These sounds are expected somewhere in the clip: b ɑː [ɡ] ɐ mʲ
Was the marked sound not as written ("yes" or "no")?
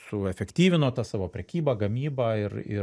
no